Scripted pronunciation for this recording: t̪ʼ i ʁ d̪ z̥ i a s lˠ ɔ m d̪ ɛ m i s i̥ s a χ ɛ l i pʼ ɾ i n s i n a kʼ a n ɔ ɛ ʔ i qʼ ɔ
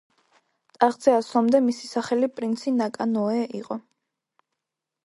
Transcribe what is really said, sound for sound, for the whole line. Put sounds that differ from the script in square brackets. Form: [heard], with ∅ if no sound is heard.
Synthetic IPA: t̪ʼ [a] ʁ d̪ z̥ [ɛ] a s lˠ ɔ m d̪ ɛ m i s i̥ s a χ ɛ l i pʼ ɾ i n s i n a kʼ a n ɔ ɛ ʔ i qʼ ɔ